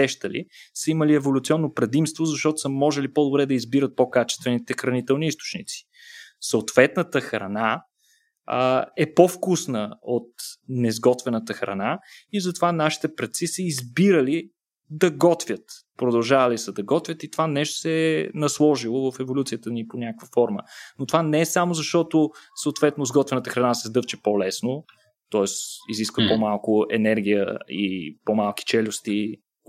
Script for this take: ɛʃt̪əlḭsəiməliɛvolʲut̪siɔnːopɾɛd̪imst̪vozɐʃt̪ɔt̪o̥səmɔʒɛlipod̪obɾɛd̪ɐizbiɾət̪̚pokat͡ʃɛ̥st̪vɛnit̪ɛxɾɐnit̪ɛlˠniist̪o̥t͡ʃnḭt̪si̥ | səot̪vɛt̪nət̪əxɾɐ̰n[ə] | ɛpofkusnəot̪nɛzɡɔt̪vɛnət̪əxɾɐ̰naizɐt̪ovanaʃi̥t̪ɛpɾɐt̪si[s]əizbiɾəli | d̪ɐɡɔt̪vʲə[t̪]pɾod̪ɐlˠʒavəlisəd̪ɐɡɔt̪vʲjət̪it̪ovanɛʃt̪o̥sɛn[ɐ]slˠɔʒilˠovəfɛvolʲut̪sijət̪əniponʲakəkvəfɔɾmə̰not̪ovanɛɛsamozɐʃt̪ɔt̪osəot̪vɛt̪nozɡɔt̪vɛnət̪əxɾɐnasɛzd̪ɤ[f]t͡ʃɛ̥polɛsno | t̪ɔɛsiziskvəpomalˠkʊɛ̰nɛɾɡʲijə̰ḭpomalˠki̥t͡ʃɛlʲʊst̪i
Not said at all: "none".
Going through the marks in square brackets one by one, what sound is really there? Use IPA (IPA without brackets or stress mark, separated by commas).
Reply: a, s, t̪, ɐ, f